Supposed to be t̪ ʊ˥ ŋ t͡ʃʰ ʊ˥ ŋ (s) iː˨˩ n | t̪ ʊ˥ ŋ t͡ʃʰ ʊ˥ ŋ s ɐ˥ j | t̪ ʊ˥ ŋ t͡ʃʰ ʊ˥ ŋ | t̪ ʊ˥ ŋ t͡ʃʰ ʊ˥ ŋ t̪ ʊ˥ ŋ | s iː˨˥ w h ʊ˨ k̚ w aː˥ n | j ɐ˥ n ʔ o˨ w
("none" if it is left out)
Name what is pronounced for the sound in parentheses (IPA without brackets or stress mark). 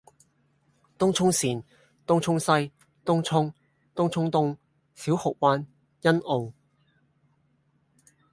s